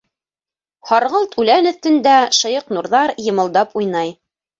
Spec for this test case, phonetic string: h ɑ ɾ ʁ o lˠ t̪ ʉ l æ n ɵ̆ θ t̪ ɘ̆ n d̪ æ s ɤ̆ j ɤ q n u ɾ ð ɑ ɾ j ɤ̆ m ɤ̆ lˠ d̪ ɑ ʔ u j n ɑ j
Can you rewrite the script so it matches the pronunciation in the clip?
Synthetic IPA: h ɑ ɾ ʁ ɤ lˠ t̪ ʉ l æ n ɵ̆ θ t̪ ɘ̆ n d̪ æ ʃ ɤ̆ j ɤ q n u ɾ ð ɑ ɾ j ɤ̆ m ɤ̆ lˠ d̪ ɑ p u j n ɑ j

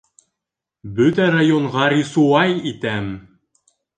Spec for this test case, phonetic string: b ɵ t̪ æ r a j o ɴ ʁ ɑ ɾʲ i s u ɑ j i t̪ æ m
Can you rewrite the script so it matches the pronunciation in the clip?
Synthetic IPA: b ɵ t̪ æ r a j o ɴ ʁ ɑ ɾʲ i s u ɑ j i t̪ æ m

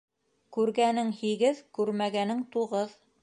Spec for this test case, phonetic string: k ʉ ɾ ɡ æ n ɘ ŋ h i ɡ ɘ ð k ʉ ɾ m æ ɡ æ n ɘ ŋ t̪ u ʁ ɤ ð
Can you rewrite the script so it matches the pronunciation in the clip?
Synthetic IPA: k ʉ ɾ ɡ æ n ɘ ŋ h i ɡ ɘ ð k ʉ ɾ m æ ɡ æ n ɘ ŋ t̪ u ʁ ɤ ð

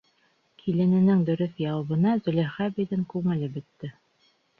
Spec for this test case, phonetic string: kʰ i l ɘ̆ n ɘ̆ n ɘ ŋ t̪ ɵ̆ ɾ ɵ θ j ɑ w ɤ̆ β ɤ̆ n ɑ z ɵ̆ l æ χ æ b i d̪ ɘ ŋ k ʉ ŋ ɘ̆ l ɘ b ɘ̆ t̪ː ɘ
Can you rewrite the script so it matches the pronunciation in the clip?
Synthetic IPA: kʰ i l ɘ̆ n ɘ̆ n ɘ ŋ d̪ ɵ̆ ɾ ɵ θ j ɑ w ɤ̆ β ɤ̆ n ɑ z ɵ̆ l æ χ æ b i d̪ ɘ ŋ k ʉ ŋ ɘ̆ l ɘ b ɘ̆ t̪ː ɘ

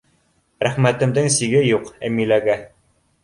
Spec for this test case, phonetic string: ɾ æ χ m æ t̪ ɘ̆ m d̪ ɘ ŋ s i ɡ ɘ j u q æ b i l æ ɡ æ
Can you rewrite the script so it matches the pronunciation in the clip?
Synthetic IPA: ɾ æ χ m æ t̪ ɘ̆ m d̪ ɘ ŋ s i ɡ ɘ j u q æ m i l æ ɡ æ

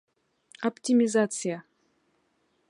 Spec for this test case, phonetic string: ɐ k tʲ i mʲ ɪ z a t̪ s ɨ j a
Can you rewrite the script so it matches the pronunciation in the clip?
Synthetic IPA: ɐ p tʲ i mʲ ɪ z a t̪ s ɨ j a

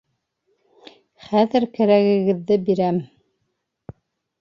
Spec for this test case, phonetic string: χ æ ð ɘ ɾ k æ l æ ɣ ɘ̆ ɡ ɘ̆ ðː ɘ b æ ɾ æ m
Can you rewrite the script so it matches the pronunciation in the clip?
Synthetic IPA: χ æ ð ɘ ɾ k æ ɾ æ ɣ ɘ̆ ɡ ɘ̆ ðː ɘ b i ɾ æ m

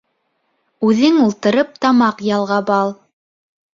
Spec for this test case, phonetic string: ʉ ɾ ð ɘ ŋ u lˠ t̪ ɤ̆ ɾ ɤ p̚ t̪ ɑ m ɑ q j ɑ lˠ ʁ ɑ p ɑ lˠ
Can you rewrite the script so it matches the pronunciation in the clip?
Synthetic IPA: ʉ ð ɘ ŋ u lˠ t̪ ɤ̆ ɾ ɤ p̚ t̪ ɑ m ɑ q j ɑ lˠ ʁ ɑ b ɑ lˠ

